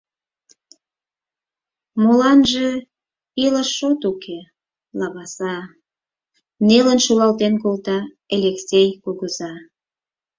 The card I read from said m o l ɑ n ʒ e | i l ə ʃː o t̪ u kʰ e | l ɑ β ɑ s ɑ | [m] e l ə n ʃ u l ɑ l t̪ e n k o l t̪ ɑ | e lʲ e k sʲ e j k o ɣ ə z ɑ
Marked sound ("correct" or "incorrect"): incorrect